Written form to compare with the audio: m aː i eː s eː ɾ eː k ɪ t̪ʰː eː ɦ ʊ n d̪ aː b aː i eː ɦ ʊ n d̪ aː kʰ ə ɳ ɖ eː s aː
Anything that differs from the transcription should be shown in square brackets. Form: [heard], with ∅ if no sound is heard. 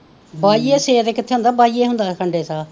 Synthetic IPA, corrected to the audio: [b] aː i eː s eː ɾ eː k ɪ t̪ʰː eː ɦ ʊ n d̪ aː b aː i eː ɦ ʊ n d̪ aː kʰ ə ɳ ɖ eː s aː